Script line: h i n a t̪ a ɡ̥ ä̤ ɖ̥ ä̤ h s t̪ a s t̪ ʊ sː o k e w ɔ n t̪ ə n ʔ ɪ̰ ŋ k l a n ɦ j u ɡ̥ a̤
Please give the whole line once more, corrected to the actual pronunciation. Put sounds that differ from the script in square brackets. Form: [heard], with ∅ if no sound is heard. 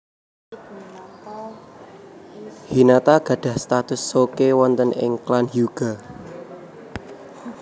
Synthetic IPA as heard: h i n a t̪ a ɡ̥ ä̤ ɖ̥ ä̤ h s t̪ a [∅] t̪ ʊ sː o k e w ɔ n t̪ ə n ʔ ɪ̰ ŋ k l a n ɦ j u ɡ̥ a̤

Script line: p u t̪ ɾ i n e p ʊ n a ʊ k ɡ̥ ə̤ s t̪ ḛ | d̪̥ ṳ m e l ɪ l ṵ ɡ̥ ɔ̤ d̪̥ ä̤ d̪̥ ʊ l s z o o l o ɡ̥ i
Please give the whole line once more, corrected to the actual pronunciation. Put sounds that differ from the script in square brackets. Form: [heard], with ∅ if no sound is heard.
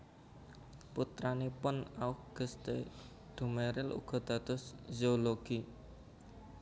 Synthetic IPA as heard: p u t̪ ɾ [a] n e p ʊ n a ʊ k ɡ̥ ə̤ s t̪ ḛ | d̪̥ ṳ m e [ɾ] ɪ l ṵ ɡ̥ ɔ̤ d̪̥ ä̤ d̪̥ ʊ [∅] s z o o l o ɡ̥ i

